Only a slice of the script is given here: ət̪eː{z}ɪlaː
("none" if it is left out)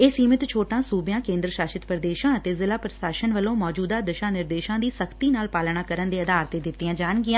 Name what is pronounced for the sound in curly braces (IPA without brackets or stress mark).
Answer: z